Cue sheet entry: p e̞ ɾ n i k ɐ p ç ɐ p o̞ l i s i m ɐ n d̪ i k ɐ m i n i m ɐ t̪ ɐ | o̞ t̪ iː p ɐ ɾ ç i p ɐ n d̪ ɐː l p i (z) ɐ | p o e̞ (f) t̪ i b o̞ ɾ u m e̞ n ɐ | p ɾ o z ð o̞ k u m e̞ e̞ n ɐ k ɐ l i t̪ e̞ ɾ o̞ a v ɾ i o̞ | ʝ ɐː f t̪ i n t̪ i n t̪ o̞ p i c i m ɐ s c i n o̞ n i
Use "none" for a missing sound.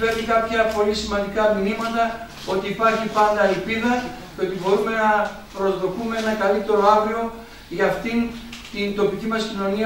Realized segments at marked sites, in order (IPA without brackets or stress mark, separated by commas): ð, none